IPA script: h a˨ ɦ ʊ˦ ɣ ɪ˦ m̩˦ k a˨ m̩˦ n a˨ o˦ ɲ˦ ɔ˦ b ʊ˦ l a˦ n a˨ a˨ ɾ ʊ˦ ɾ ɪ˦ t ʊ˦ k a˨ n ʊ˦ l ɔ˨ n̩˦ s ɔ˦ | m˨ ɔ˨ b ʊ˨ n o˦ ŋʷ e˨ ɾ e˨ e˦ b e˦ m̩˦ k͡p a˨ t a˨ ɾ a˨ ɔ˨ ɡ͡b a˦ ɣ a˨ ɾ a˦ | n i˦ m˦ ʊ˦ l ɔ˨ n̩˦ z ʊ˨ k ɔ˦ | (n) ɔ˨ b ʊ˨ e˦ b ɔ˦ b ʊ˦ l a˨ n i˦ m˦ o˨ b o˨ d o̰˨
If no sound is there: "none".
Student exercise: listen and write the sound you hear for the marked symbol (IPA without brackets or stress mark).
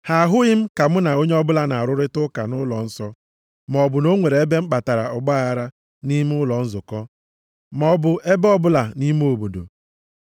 m